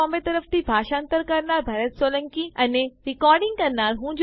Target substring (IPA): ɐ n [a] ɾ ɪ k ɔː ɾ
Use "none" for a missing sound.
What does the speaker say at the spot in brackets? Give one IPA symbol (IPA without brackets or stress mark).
e